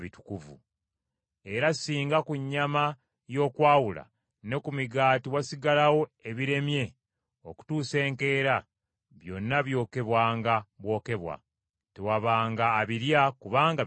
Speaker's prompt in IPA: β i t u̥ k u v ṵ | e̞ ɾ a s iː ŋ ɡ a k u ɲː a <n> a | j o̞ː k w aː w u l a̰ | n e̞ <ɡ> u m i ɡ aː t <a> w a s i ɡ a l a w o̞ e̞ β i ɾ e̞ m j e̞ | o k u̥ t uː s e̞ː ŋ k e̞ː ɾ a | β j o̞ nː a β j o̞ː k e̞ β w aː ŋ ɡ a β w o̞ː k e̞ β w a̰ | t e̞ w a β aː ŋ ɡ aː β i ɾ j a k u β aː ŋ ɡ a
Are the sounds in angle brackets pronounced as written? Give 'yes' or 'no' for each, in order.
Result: no, no, no

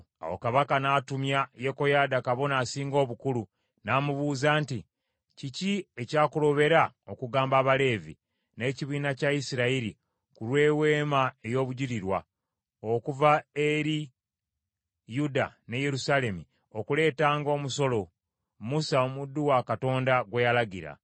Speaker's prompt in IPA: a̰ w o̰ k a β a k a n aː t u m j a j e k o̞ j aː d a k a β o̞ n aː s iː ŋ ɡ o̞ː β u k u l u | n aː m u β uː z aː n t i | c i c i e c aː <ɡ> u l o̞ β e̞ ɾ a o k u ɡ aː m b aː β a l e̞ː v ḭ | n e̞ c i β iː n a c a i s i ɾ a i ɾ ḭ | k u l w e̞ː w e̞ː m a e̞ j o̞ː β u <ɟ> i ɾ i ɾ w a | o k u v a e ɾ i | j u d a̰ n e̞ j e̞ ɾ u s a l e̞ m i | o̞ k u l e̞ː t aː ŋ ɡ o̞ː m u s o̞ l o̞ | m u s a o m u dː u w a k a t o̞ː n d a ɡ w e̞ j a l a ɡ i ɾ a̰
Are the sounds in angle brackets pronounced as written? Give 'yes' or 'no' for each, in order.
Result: no, yes

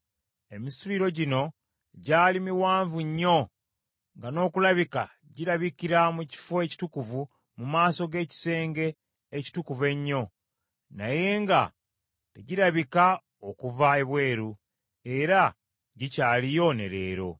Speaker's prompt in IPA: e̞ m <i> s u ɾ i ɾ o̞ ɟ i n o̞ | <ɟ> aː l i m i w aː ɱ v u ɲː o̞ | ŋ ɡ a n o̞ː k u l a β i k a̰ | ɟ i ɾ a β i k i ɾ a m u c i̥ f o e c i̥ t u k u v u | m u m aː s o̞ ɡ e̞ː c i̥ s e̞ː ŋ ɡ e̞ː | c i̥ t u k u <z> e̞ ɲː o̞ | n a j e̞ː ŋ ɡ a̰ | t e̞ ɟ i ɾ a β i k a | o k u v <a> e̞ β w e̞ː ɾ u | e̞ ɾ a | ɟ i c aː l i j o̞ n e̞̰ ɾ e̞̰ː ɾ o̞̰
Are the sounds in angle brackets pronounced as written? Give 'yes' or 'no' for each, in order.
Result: yes, yes, no, yes

